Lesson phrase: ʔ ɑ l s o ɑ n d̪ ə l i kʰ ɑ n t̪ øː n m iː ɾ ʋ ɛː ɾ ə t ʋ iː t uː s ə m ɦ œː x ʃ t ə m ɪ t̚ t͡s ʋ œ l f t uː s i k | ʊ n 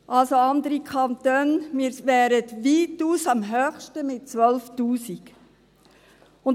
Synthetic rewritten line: ʔ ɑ l s o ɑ n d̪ ə ɾ i kʰ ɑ n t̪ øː n m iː ɾ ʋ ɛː ɾ ə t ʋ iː t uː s ɑ m ɦ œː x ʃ t ə m ɪ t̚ t͡s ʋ œ l f t uː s i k | ʊ n